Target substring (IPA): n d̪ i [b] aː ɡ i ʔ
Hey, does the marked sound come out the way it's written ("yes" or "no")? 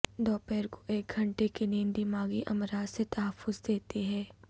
no